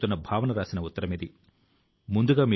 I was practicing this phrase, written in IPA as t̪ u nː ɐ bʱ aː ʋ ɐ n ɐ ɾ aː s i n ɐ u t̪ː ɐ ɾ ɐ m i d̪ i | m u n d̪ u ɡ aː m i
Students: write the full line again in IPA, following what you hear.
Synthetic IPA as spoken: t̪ u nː ɐ bʱ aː ʋ ɐ n ɐ ɾ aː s i n ɐ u t̪ː ɐ ɾ ɐ m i d̪ i | m u n d̪ u ɡ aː m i